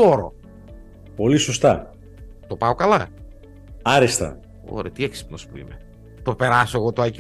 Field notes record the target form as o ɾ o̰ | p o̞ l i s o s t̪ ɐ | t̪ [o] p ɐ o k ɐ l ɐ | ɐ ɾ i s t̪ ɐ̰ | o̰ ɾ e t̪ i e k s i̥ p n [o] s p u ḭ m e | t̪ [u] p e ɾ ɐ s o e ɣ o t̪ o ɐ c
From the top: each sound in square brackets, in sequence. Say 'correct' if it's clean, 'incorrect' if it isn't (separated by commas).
correct, correct, incorrect